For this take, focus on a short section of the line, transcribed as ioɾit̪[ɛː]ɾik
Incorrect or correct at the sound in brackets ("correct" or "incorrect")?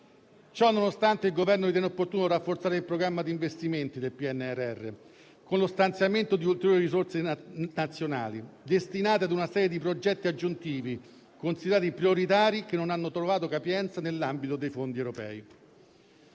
incorrect